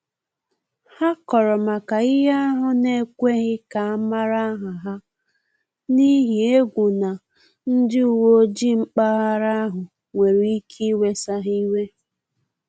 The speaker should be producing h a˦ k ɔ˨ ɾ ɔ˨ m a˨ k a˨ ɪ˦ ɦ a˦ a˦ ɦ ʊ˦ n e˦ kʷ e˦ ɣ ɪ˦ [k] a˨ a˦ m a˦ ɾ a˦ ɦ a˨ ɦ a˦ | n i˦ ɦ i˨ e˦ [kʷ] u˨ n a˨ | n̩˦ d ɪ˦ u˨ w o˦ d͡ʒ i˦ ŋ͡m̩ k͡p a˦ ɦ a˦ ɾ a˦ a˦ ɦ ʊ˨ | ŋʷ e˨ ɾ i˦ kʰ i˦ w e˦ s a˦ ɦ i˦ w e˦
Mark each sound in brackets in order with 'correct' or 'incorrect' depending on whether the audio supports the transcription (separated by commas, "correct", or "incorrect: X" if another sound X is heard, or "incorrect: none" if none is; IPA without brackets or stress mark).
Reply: correct, incorrect: ɡʷ